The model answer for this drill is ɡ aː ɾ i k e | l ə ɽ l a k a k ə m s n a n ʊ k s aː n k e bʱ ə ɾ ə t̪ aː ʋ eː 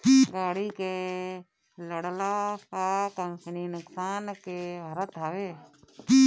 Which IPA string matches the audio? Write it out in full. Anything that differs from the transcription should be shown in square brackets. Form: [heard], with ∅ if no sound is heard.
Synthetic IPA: ɡ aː [ɽ] i k e | l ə ɽ l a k a k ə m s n [i] n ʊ k s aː n k e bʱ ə ɾ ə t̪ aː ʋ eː